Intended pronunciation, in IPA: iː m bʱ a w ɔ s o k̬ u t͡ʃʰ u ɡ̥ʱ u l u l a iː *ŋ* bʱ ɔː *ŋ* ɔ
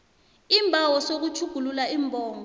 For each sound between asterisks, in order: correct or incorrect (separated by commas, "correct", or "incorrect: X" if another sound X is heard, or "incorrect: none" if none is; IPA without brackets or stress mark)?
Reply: incorrect: m, correct